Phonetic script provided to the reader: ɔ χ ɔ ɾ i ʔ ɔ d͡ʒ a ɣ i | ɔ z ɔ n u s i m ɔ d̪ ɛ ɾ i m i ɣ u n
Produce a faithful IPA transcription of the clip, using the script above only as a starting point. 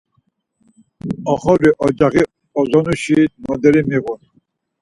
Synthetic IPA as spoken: ɔ χ ɔ ɾ i ʔ ɔ d͡ʒ a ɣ i | ɔ z ɔ n u ʃ i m ɔ d̪ ɛ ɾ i m i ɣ u n